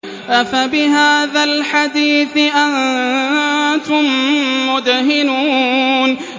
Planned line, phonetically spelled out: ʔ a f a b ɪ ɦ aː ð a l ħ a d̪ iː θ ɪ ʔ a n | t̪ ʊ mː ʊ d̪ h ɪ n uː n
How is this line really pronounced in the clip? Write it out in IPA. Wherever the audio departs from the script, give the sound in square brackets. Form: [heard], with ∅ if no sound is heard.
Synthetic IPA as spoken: ʔ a f a b ɪ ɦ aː ð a l ħ a d̪ iː θ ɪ ʔ a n | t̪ ʊ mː ʊ d̪ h ɪ n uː n

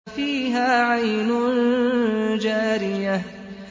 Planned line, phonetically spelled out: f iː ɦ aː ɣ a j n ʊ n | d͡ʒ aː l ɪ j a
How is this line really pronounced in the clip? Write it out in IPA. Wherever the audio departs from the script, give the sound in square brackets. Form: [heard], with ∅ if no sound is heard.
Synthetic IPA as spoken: f iː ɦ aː [ʕ] a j n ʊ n | d͡ʒ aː [ɾ] ɪ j a

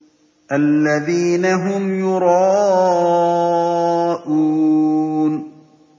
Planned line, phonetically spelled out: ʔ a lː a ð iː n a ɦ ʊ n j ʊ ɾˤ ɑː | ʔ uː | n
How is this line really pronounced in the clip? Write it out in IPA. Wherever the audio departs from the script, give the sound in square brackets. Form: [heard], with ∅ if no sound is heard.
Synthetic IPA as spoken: ʔ a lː a ð iː n a ɦ ʊ [m] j ʊ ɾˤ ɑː | ʔ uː | n

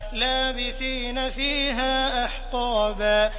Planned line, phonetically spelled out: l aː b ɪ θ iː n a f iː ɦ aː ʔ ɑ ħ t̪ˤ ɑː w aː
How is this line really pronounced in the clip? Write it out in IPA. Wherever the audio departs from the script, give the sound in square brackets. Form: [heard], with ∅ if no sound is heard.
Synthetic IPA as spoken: l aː b ɪ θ iː n a f iː ɦ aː ʔ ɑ ħ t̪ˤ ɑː [b] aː

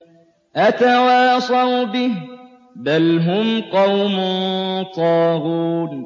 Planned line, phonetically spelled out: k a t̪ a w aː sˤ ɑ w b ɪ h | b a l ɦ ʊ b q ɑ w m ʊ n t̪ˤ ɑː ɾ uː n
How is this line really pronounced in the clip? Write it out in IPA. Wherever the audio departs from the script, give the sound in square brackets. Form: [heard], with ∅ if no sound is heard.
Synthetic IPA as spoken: [ʔ] a t̪ a w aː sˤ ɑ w b ɪ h | b a l ɦ ʊ [m] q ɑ w m ʊ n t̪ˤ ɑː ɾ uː n

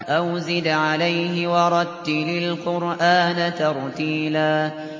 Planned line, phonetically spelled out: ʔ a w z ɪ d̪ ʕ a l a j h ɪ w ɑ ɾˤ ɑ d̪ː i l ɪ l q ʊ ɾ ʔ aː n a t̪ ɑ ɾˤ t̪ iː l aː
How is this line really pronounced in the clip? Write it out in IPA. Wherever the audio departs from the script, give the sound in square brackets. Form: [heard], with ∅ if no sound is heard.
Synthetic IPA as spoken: ʔ a w z ɪ d̪ ʕ a l a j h ɪ w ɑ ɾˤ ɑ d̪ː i l ɪ l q ʊ ɾ ʔ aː n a t̪ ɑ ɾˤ t̪ iː l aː

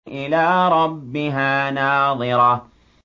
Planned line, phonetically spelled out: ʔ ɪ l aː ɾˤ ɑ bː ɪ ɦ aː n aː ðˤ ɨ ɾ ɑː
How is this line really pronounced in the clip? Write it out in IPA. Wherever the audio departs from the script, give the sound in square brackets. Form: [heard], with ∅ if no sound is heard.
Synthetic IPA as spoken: ʔ ɪ l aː ɾˤ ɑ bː ɪ ɦ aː n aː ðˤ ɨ ɾ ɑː

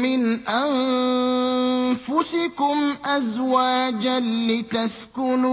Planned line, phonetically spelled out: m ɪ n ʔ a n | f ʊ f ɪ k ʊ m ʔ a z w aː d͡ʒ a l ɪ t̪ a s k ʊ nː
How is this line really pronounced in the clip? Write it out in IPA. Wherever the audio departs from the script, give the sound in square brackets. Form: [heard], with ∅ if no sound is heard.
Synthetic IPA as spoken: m ɪ n ʔ a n | f ʊ [s] ɪ k ʊ m ʔ a z w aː d͡ʒ a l ɪ t̪ a s k ʊ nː

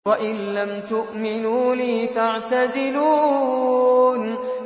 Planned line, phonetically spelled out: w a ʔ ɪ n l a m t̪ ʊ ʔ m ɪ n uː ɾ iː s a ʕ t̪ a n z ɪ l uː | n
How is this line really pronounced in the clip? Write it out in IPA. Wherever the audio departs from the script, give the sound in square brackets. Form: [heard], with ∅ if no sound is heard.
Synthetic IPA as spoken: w a ʔ ɪ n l a m t̪ ʊ ʔ m ɪ n uː [l] iː [f] a ʕ t̪ a [∅] z ɪ l uː | n

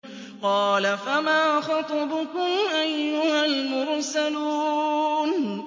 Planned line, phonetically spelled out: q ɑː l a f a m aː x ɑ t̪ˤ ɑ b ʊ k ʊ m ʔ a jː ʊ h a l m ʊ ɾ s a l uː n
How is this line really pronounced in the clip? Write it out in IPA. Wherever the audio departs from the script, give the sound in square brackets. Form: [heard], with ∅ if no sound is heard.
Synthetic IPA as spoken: q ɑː l a f a m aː x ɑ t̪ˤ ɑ b ʊ k ʊ m ʔ a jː ʊ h a l m ʊ ɾ s a l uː n

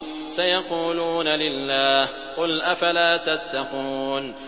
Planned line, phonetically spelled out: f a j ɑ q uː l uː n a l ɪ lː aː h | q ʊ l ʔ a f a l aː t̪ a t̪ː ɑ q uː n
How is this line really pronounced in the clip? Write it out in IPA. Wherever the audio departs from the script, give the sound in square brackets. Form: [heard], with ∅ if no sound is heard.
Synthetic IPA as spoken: [s] a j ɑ q uː l uː n a l ɪ lː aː h | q ʊ l ʔ a f a l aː t̪ a t̪ː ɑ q uː n

